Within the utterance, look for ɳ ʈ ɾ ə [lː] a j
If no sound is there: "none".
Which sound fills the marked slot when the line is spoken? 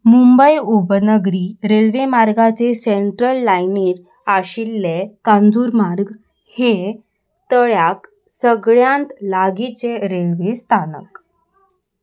lː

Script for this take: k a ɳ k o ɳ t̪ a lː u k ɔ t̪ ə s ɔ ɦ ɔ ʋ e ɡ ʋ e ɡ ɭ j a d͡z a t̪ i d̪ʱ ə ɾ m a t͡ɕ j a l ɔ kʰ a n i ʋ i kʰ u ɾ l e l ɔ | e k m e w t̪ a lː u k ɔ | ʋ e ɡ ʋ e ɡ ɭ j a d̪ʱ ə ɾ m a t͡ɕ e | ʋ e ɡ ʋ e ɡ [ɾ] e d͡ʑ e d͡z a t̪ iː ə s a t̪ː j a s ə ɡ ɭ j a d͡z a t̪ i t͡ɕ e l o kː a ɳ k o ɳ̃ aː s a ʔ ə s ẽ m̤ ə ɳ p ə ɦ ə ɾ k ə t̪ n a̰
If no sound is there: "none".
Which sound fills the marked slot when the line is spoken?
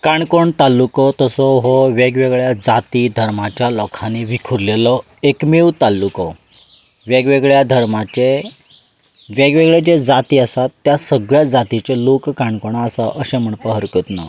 ɭ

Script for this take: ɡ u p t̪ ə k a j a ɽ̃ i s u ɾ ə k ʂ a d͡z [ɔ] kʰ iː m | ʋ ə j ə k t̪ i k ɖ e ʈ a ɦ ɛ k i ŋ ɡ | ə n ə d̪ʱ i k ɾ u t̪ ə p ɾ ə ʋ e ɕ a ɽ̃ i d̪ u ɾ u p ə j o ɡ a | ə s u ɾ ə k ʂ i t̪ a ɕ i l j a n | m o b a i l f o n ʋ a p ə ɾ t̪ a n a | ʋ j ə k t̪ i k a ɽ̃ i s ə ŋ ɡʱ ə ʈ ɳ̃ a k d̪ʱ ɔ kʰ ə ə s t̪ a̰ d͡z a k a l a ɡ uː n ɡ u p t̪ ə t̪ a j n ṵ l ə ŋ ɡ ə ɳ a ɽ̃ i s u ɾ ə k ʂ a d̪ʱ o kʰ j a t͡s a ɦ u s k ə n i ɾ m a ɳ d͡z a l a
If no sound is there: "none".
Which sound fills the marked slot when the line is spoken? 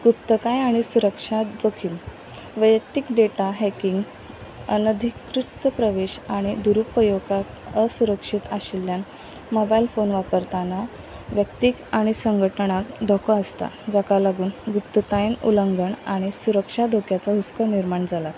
o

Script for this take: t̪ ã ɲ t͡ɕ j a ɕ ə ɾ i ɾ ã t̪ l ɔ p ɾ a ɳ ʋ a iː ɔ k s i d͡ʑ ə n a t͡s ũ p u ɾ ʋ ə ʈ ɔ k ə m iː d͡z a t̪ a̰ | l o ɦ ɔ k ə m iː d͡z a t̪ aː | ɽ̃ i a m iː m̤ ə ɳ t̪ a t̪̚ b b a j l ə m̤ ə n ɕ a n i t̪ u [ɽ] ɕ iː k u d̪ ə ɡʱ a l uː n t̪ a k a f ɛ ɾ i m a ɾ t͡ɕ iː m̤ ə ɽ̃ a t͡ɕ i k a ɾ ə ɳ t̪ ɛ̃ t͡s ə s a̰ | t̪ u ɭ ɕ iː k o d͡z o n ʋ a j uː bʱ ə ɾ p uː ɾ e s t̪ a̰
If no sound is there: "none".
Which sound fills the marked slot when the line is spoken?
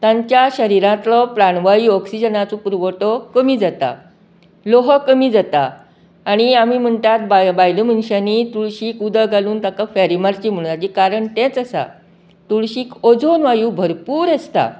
ɭ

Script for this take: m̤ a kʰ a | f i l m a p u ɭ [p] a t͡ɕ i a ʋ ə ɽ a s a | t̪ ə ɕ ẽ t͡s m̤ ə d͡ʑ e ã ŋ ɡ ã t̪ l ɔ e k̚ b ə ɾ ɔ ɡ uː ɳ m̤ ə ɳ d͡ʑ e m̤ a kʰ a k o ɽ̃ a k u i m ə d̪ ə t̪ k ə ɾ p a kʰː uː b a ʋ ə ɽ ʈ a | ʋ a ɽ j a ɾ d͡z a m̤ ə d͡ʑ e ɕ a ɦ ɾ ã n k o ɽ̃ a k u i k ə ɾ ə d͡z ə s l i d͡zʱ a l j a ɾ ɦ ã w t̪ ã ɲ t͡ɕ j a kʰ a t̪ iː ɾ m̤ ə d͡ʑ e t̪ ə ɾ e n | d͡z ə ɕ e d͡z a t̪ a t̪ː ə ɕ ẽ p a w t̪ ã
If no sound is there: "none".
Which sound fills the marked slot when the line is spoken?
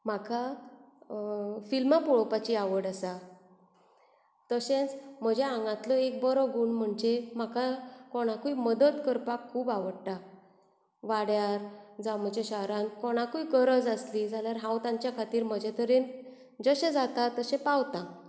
p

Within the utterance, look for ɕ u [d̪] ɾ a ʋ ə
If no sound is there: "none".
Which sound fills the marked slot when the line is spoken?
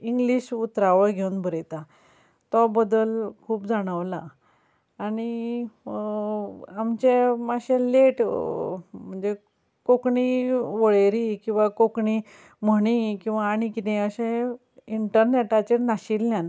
t̪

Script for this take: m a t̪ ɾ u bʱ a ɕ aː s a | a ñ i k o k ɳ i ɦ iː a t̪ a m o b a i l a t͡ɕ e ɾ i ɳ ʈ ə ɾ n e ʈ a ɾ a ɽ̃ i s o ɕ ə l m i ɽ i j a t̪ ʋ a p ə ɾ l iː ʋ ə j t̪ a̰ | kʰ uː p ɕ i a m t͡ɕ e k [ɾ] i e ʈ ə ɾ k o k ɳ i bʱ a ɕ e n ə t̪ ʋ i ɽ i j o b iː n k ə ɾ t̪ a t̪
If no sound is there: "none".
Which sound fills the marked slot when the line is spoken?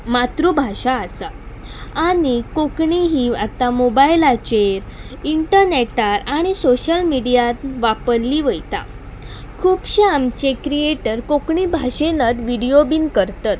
ɾ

